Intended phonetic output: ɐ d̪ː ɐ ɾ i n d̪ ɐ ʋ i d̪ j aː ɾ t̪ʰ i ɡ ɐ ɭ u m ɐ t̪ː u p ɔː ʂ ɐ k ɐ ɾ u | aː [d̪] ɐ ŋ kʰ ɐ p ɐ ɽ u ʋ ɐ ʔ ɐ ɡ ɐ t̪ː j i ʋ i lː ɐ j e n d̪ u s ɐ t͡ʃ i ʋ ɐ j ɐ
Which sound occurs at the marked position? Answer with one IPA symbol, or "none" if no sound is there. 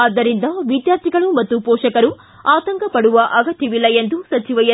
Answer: t̪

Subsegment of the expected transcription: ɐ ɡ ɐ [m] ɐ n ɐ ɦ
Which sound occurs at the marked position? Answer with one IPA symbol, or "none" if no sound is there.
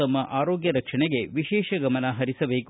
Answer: m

